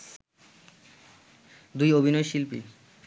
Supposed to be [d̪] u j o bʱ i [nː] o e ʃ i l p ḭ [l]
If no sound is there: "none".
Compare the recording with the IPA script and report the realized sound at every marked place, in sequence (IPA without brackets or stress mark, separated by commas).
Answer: d̪, n, none